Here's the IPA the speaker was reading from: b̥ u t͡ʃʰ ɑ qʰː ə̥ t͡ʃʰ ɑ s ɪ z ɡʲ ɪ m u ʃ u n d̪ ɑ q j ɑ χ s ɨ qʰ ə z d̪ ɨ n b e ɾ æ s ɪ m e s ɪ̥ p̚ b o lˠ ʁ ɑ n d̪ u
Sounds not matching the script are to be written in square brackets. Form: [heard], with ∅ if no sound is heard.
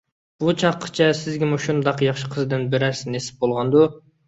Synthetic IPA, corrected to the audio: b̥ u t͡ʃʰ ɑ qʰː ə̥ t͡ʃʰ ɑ s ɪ z ɡʲ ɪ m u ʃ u n d̪ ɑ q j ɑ χ [ʃ] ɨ qʰ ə z d̪ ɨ n b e ɾ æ s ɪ [n] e s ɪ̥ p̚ b o lˠ ʁ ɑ n d̪ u

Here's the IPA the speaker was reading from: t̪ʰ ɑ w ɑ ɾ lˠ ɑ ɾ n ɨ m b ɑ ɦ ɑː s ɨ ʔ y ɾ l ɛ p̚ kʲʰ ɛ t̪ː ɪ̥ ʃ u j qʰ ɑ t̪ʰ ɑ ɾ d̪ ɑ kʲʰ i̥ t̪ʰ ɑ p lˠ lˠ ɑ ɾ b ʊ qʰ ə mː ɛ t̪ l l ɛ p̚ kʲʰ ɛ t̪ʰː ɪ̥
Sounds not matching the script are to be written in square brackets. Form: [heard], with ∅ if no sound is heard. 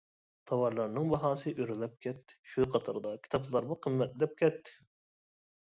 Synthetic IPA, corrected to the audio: t̪ʰ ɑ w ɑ ɾ lˠ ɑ ɾ n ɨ [ŋ] b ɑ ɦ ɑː s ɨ ʔ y ɾ l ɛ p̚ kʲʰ ɛ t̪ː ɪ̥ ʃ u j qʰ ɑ t̪ʰ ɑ ɾ d̪ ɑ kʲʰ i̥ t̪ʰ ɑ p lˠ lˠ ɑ ɾ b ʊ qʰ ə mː ɛ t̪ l l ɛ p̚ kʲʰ ɛ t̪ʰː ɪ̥

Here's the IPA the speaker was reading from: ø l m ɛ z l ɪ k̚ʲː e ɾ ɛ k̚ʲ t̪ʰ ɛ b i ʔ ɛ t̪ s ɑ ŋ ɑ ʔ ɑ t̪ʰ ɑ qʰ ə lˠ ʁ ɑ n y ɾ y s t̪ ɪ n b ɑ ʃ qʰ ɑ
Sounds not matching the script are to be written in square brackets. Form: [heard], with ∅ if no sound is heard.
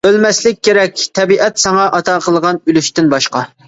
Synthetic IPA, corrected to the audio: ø l m ɛ [s] l ɪ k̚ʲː e ɾ ɛ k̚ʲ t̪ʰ ɛ b i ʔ ɛ t̪ s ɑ ŋ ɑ ʔ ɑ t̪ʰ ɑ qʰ ə lˠ ʁ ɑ n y [l] y [ʃ] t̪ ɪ n b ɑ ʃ [q] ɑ

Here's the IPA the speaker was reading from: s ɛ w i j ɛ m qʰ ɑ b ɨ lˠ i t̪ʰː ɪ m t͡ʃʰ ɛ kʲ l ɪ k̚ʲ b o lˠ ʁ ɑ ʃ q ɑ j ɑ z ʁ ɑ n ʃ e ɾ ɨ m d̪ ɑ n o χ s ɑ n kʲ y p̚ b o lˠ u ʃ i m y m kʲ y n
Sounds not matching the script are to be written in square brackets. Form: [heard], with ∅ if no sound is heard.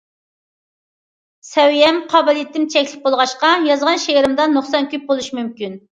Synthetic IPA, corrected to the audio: s ɛ w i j ɛ m qʰ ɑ b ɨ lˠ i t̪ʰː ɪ m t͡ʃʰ ɛ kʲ l ɪ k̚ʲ b o lˠ ʁ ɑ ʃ q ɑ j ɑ z ʁ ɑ n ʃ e ɾ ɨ m d̪ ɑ n o χ s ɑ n kʲ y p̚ b o lˠ u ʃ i m y m kʲ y n

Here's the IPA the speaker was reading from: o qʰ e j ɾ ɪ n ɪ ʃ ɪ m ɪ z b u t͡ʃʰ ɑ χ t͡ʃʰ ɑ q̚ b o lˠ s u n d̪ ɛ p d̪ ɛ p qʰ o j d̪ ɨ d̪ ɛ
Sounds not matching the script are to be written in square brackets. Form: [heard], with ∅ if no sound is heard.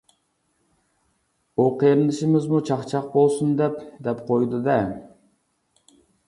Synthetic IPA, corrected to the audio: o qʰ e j ɾ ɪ n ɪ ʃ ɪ m ɪ z [m] u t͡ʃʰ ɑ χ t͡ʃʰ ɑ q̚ b o lˠ s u n d̪ ɛ p d̪ ɛ p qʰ o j d̪ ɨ d̪ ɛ

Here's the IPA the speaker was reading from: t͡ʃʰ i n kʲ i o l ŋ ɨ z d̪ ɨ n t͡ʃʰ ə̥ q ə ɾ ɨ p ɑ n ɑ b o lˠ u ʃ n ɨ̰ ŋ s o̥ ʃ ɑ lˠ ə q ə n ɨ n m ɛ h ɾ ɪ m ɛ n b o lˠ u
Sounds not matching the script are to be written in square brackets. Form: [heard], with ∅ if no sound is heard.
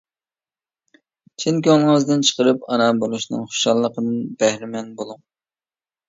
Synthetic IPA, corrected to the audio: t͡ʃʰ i n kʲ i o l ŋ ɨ z d̪ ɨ n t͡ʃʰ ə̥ q ə ɾ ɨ p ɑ n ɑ b o lˠ u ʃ n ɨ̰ ŋ [χ] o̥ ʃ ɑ [lˠː] ə q ə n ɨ n [b] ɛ h ɾ ɪ m ɛ n b o lˠ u

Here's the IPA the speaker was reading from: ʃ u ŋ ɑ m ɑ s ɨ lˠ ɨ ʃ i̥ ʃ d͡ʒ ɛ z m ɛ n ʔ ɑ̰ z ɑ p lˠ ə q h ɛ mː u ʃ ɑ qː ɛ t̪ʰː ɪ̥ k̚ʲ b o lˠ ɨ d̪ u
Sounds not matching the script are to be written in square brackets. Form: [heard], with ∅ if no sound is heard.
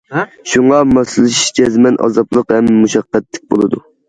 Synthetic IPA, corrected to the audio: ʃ u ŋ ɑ m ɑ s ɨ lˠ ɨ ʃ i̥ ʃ d͡ʒ ɛ z m ɛ n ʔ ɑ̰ z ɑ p lˠ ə q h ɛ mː u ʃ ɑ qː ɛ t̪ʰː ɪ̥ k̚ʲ b o lˠ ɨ d̪ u

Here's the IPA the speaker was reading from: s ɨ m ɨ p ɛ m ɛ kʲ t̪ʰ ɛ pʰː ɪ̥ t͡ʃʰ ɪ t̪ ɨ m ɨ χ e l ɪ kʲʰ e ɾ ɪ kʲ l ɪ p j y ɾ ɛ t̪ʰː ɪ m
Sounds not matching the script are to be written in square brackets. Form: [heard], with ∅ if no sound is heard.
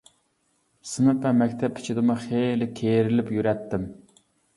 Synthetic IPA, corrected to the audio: s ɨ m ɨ p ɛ m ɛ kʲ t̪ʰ ɛ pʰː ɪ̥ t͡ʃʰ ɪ [d̪] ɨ m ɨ χ e l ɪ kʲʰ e ɾ ɪ [∅] l ɪ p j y ɾ ɛ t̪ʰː ɪ m

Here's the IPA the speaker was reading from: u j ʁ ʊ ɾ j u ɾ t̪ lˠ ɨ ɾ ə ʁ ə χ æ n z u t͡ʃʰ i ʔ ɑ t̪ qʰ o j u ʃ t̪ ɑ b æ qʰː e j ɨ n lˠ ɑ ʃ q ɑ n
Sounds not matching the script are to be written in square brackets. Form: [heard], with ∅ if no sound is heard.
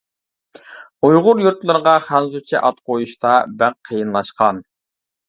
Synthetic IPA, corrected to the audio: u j ʁ ʊ ɾ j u ɾ t̪ lˠ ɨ ɾ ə ʁ [ɑ] χ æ n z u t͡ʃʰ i ʔ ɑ t̪ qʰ o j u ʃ t̪ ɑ b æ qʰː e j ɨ n lˠ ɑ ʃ q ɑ n

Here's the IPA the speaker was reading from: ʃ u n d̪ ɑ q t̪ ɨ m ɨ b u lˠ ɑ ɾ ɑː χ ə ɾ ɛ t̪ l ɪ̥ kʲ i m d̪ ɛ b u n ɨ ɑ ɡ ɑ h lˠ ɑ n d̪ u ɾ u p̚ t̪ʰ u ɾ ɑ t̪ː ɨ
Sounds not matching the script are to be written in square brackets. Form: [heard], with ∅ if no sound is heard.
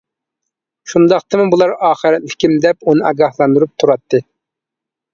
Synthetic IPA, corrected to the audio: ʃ u n d̪ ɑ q t̪ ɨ m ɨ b u lˠ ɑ ɾ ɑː χ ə ɾ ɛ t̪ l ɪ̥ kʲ i m d̪ ɛ [p] u n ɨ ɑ ɡ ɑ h lˠ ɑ n d̪ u ɾ u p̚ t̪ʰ u ɾ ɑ t̪ː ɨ

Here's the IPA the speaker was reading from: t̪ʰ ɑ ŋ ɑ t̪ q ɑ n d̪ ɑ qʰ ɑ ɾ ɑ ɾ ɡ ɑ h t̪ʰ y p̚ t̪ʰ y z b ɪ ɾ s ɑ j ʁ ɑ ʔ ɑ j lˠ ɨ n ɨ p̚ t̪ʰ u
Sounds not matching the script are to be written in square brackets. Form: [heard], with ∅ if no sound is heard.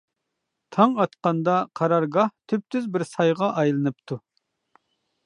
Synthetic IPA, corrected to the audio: t̪ʰ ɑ ŋ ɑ t̪ q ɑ n d̪ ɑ qʰ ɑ ɾ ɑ ɾ ɡ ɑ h t̪ʰ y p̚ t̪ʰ y z b ɪ ɾ s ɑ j ʁ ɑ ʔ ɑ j lˠ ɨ n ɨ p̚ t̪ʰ u

